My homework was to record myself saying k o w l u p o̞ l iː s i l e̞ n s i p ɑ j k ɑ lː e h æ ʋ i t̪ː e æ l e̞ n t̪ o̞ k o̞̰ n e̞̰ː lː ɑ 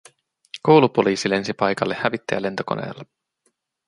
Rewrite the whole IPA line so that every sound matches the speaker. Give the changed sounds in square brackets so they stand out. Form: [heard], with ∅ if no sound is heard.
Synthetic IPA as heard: k o w l u p o̞ l iː s i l e̞ n s i p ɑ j k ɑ lː e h æ ʋ i t̪ː e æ l e̞ n t̪ o̞ k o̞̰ n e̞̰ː lː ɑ